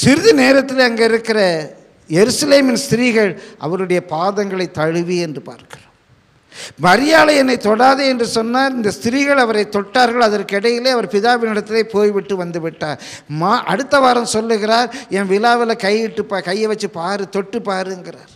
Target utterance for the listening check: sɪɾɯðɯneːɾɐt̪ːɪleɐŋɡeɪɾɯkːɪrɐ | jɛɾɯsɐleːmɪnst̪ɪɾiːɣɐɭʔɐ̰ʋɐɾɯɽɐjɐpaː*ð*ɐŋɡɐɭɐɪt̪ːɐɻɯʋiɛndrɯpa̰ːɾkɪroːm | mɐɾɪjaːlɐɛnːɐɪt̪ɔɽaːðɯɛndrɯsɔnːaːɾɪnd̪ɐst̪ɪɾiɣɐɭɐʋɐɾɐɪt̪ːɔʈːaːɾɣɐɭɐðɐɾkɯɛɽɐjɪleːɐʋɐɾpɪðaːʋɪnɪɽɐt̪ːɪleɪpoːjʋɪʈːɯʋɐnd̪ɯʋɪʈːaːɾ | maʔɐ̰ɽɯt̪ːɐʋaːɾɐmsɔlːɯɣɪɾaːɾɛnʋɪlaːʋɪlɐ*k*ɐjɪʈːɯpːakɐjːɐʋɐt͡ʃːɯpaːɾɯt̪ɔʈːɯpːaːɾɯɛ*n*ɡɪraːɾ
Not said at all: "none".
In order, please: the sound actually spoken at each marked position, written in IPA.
ð, k, ŋ

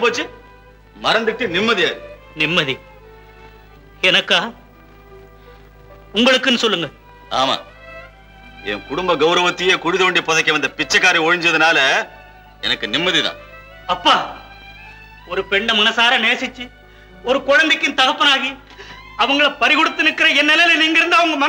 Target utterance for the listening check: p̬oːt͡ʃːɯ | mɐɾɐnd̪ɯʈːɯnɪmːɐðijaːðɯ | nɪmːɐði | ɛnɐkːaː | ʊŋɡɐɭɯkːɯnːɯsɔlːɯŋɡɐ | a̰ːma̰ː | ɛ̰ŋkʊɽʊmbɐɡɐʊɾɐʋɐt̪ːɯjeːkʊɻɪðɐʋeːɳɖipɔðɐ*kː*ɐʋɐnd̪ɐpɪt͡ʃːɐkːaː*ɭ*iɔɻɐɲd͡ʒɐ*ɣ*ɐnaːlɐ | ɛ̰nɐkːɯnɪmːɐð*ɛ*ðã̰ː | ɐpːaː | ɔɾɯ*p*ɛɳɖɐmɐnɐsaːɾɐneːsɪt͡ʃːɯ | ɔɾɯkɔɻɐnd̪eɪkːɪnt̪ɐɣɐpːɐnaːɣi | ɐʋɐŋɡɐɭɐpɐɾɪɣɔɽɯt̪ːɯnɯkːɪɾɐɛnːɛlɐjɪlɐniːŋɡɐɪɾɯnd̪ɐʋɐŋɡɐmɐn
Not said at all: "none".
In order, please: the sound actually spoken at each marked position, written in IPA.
kː, ɾ, ð, i, p

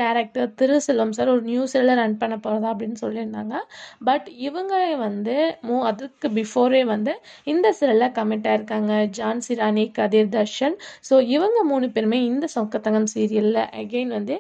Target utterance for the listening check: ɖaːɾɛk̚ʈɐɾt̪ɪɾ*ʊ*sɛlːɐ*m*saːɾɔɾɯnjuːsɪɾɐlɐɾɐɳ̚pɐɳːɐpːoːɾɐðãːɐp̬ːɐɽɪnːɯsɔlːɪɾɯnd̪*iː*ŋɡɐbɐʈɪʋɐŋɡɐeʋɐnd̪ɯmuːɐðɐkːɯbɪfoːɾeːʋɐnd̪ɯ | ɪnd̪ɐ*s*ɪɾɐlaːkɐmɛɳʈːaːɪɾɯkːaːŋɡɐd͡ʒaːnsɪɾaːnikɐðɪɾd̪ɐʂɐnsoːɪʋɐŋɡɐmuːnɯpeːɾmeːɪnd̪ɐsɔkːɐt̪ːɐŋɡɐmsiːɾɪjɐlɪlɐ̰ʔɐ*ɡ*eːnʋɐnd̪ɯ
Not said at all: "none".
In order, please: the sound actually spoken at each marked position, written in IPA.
ɯ, m, aː, s, ɡ

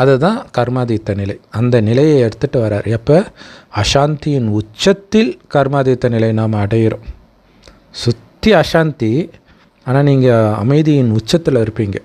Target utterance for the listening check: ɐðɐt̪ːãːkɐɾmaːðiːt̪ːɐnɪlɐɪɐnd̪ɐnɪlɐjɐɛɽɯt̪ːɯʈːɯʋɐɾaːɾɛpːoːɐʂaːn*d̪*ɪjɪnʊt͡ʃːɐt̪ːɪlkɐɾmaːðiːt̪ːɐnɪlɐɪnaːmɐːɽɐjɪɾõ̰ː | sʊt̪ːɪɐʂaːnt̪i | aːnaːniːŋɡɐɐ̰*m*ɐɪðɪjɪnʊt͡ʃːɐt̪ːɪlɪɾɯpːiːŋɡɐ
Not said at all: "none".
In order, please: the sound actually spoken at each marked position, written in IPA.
t̪, m

